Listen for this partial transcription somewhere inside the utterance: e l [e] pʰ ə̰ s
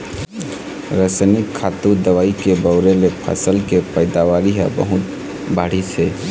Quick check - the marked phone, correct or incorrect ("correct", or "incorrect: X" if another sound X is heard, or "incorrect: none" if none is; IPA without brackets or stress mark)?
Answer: correct